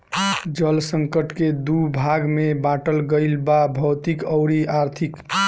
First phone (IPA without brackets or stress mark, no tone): d͡ʒ